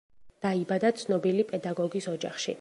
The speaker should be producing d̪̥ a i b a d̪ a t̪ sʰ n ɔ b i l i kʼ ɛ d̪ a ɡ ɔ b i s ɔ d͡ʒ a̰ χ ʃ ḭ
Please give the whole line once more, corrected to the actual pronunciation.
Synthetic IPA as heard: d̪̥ a i b a d̪ a t̪ sʰ n ɔ b i l i pʼ ɛ d̪ a ɡ ɔ ɡ i s ɔ d͡ʒ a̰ χ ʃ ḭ